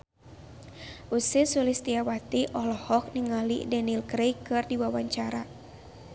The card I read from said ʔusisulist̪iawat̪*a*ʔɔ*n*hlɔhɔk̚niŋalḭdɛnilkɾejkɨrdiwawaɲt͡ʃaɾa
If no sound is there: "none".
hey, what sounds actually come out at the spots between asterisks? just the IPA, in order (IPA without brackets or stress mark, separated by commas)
i, none